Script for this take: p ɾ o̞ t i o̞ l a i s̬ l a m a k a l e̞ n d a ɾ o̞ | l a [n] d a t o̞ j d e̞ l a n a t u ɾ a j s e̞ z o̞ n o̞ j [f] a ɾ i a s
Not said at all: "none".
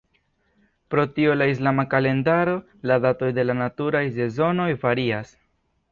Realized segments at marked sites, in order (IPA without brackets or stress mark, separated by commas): none, v